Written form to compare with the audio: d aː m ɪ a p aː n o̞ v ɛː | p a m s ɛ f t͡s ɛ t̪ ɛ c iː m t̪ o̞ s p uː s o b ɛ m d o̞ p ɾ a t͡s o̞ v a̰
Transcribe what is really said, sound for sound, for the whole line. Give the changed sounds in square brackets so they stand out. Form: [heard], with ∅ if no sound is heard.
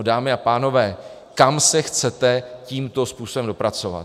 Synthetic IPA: d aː m ɪ a p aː n o̞ v ɛː | [k] a m s ɛ [x] t͡s ɛ t̪ ɛ c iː m t̪ o̞ s p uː s o b ɛ m d o̞ p ɾ a t͡s o̞ v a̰